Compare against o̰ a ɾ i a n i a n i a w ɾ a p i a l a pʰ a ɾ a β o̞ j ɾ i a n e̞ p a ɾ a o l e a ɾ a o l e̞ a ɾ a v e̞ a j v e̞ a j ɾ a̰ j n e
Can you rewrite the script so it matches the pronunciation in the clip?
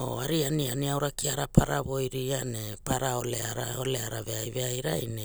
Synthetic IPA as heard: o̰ a ɾ i a n i a n i a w ɾ a k i a ɾ a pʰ a ɾ a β o̞ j ɾ i a n e̞ p a ɾ a o l e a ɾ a o l e̞ a ɾ a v e̞ a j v e̞ a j ɾ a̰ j n e